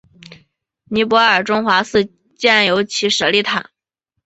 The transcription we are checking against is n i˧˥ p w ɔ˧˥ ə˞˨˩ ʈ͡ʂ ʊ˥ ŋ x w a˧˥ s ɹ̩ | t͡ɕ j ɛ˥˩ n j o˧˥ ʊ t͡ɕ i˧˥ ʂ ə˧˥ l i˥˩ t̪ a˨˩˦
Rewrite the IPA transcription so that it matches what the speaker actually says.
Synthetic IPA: n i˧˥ p w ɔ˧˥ ə˞˨˩ ʈ͡ʂ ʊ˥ ŋ x w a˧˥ s ɹ̩ | t͡ɕ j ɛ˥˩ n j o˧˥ ʊ t͡ɕʰ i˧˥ ʂ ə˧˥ l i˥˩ t̪ʰ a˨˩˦